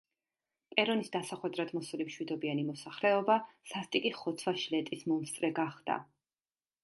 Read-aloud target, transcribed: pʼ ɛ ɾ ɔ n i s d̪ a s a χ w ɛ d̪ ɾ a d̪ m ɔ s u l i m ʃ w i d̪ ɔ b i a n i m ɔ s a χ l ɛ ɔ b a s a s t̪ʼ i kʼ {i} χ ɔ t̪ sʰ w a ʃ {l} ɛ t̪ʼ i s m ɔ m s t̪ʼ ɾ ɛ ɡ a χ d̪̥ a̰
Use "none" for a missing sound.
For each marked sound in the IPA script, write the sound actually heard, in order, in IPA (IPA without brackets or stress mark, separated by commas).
i, l